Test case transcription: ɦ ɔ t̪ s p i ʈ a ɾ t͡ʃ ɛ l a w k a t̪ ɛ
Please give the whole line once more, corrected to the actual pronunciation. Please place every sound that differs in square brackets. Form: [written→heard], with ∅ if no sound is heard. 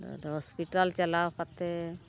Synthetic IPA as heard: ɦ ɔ [t̪→∅] s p i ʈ a [ɾ→l] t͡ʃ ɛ l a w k a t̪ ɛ